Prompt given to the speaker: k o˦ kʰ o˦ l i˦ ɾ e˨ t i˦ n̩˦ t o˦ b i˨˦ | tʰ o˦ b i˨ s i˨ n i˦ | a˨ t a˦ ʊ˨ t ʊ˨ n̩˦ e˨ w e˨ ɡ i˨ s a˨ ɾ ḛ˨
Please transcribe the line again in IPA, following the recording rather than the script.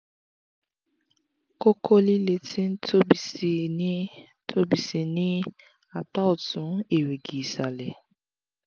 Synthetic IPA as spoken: k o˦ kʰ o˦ l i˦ l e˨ t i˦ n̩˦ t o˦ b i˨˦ | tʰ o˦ b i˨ s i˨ n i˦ | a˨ t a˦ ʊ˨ t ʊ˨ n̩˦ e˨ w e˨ ɡ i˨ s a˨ l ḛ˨

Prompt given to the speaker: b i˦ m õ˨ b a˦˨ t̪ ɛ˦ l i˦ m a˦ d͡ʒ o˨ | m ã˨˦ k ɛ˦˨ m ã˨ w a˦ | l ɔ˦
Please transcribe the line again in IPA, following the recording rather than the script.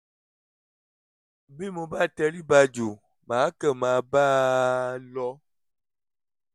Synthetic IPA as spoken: b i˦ m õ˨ b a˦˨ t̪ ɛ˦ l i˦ b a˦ d͡ʒ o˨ | m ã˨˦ k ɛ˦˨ m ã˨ b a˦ | l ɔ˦

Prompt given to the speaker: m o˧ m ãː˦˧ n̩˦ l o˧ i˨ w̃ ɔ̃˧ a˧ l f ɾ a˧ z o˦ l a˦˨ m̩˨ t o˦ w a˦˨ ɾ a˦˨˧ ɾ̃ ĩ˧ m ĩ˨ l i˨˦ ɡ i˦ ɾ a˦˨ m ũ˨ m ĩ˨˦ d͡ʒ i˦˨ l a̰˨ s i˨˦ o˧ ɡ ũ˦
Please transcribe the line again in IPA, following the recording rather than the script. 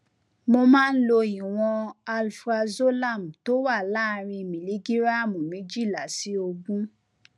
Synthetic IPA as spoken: m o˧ m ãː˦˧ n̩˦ l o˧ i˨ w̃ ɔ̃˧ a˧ l f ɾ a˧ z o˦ l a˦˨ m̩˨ t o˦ w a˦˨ l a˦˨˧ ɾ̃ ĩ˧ m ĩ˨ l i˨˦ ɡ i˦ ɾ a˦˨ m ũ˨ m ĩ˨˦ d͡ʒ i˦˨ l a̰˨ s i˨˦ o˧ ɡ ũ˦

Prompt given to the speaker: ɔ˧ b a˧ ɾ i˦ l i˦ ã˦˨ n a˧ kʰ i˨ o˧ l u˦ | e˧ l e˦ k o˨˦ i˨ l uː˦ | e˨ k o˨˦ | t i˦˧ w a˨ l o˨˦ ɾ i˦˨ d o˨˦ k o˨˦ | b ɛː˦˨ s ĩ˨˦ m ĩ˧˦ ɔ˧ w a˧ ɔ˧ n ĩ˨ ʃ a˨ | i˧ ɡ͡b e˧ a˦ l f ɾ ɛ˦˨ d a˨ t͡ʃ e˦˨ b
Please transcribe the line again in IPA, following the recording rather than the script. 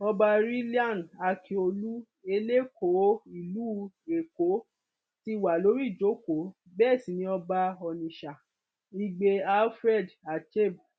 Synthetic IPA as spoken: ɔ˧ b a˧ ɾ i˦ l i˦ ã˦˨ n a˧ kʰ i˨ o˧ l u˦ | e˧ l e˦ k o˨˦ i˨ l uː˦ | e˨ k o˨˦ | t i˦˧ w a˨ l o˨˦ ɾ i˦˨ d͡ʒ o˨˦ k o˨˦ | b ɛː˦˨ s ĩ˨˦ n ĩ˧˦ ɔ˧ b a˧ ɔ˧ n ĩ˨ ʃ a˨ | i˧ ɡ͡b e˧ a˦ l f ɾ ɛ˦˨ d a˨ t͡ʃ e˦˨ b

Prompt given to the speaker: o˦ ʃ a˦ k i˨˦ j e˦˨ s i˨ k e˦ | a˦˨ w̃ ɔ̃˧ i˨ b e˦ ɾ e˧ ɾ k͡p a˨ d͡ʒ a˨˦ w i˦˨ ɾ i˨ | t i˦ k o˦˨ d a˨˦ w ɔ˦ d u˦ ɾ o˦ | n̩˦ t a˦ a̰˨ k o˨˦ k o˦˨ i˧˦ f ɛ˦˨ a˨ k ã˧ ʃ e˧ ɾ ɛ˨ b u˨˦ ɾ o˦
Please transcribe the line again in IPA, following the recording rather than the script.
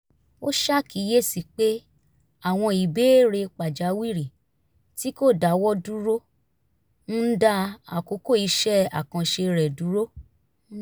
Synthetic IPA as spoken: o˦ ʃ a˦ k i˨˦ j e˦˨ s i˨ k͡p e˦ | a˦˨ w̃ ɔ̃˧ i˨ b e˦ ɾ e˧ k͡p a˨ d͡ʒ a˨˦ w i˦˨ ɾ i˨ | t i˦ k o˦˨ d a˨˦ w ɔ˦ d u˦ ɾ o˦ | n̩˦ d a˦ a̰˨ k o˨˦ k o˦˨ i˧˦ ʃ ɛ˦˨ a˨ k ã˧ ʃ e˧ ɾ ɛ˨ d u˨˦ ɾ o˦

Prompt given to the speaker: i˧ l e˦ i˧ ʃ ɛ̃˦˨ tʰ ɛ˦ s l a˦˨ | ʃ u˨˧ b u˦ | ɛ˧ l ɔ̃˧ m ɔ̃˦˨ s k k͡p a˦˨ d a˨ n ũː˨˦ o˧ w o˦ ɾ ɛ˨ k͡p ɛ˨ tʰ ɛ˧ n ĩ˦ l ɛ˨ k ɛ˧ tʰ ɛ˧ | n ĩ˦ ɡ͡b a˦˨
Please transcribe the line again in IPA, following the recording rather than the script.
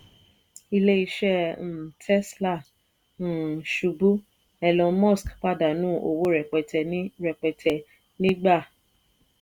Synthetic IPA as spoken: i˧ l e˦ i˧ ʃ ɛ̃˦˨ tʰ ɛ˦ s l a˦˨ | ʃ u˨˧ b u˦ | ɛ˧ l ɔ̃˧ m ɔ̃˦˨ s k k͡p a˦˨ d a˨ n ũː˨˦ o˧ w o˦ ɾ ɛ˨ k͡p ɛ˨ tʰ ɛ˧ n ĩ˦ ɾ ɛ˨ k͡p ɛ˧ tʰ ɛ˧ | n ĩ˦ ɡ͡b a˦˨

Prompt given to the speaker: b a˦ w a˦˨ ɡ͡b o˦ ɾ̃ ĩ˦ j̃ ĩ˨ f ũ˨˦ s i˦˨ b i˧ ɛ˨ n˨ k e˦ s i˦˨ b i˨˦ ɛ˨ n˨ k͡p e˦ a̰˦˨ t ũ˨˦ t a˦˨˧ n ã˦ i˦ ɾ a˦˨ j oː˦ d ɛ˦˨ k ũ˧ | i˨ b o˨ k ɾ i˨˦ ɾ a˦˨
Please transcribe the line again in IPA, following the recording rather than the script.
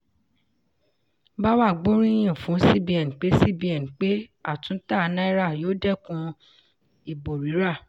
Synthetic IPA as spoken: b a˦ w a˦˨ ɡ͡b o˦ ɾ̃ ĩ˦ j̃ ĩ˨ f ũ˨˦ s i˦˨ b i˧ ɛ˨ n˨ k͡p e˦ s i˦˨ b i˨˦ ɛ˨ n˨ k͡p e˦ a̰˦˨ t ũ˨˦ t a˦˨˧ n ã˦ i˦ ɾ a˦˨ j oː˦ d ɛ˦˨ k ũ˧ | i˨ b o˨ ɾ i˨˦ ɾ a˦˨

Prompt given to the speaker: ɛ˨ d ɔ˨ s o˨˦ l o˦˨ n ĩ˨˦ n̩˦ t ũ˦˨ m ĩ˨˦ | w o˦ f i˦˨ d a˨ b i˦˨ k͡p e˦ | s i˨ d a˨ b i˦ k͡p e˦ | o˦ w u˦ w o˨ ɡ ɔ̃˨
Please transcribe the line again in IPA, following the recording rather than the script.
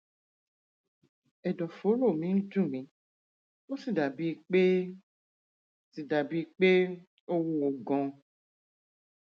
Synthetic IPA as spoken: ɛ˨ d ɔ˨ f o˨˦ l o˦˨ m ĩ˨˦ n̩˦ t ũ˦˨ m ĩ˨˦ | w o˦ s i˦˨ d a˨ b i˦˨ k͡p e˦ | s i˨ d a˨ b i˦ k͡p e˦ | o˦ w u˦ w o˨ ɡ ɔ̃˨

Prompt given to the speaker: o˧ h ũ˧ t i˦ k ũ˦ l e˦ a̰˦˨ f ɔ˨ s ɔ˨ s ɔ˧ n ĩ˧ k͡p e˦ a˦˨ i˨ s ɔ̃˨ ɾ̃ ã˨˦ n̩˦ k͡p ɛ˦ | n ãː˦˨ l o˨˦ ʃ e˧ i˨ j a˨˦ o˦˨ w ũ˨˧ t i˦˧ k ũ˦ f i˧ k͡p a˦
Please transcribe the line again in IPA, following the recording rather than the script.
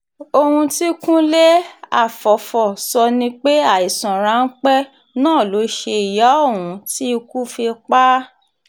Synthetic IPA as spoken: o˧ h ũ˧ t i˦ k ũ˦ l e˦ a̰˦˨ f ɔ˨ f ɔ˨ s ɔ˧ n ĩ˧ k͡p e˦ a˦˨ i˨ s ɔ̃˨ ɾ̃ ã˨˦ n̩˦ k͡p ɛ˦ | n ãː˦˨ l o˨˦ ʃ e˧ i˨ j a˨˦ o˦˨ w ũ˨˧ t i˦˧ k u˦ f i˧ k͡p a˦

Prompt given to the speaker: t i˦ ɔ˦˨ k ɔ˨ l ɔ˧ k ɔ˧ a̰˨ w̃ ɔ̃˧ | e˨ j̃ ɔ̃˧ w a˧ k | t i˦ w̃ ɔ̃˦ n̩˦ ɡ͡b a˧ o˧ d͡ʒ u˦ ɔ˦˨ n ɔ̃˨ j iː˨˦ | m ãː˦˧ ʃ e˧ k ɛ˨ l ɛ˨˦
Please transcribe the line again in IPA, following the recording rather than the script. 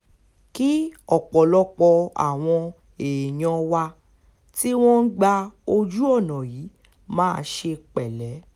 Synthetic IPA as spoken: k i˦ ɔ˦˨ k͡p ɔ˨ l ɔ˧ k͡p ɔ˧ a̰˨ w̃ ɔ̃˧ | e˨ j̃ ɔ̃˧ w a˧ | t i˦ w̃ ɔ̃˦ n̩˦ ɡ͡b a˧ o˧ d͡ʒ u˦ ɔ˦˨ n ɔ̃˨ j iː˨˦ | m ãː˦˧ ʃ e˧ k͡p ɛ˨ l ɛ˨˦

